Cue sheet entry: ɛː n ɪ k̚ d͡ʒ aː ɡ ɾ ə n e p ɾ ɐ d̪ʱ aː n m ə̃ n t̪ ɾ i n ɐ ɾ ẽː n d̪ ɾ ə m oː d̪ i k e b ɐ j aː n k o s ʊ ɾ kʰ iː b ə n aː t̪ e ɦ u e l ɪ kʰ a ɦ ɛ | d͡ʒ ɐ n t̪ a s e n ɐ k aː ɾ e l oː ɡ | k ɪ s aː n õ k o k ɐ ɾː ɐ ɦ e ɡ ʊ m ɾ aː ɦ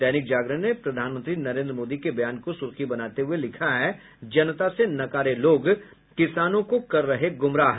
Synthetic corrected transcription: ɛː n ɪ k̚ d͡ʒ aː ɡ ɾ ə n e p ɾ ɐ d̪ʱ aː n m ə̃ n t̪ ɾ i n ɐ ɾ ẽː n d̪ ɾ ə m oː d̪ i k e b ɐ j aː n k o s ʊ ɾ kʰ i b ɐ n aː t̪ e ɦ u e l ɪ kʰ a ɦ ɛ | d͡ʒ ɐ n t̪ a s e n ɐ k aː ɾ e l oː ɡ | k ɪ s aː n õ k o k ɐ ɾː ɐ ɦ e ɡ ʊ m ɾ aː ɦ